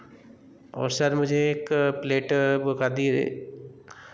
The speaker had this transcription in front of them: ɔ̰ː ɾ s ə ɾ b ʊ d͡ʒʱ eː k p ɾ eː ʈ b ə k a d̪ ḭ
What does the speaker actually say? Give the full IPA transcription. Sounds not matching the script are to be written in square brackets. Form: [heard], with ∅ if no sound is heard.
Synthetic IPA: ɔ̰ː ɾ s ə ɾ [m] ʊ d͡ʒʱ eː k p [l] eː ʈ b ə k a d̪ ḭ